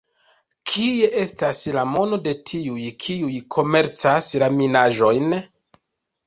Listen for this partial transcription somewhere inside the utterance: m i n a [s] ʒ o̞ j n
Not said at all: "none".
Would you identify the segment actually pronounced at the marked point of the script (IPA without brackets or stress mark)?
none